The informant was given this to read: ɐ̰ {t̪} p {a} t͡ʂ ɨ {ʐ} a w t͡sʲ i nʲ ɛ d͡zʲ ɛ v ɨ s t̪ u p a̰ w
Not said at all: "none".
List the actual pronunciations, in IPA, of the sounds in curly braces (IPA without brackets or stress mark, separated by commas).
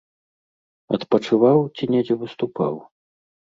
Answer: t̪, ɐ, v